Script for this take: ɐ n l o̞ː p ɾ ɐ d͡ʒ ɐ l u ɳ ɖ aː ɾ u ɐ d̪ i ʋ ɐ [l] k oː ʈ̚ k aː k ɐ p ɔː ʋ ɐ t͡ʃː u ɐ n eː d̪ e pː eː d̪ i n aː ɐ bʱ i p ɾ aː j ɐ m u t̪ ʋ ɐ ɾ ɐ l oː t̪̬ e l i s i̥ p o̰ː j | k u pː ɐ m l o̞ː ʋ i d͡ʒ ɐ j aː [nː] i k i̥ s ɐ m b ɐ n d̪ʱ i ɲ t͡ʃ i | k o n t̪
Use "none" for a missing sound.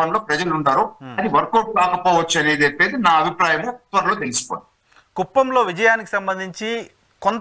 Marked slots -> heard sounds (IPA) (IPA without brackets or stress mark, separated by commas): ɾ, n